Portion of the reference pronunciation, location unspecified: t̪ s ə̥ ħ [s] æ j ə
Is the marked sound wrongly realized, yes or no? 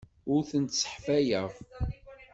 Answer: yes